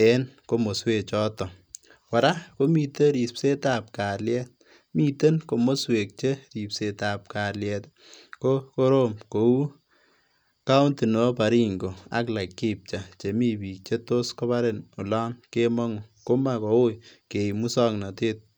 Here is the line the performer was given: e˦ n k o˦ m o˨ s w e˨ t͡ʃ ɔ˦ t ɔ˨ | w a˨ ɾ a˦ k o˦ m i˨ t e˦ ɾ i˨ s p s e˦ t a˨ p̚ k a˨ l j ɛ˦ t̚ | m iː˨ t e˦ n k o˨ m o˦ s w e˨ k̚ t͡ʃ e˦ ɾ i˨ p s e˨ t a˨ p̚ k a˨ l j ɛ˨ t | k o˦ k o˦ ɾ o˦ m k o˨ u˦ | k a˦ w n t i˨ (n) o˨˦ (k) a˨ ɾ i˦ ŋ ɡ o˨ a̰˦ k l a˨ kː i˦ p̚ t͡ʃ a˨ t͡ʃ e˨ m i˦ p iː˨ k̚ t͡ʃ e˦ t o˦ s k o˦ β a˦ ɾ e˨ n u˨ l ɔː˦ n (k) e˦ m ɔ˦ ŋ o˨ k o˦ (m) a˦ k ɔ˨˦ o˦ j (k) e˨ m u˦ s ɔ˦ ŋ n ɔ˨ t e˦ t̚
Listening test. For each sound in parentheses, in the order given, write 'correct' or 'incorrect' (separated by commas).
correct, incorrect, correct, correct, correct